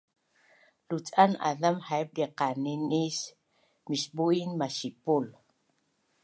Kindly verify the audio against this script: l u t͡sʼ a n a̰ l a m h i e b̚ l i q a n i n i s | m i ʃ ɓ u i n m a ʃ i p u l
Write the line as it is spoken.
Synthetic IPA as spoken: l u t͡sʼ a n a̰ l a m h a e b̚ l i q a n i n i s | m i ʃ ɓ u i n m a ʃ i p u l